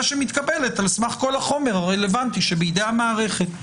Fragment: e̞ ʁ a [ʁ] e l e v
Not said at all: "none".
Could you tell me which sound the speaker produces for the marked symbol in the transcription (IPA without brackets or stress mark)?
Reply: ʁ